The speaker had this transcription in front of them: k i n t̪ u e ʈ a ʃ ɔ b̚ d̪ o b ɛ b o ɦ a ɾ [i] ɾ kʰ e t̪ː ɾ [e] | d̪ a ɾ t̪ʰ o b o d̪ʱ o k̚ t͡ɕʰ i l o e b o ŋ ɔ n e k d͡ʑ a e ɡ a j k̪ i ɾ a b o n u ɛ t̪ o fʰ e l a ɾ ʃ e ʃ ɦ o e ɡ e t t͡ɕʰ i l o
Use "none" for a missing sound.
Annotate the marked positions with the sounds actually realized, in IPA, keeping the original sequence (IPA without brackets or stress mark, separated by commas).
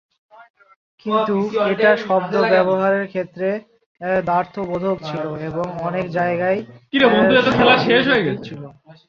e, e